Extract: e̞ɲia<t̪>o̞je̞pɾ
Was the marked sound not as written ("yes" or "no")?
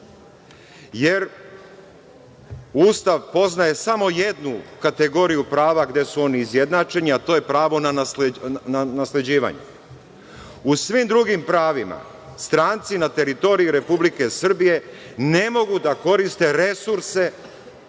no